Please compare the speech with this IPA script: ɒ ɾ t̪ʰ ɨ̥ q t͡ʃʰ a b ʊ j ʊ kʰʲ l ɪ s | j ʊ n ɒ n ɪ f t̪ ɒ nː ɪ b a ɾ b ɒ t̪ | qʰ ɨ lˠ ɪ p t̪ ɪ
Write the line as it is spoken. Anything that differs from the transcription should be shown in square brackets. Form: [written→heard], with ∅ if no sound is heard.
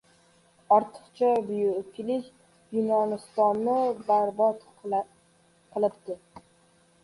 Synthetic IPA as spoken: ɒ ɾ t̪ʰ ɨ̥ q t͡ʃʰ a b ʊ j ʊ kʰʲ l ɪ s | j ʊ n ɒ n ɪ [f→s] t̪ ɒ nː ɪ b a ɾ b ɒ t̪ | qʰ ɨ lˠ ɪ p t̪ ɪ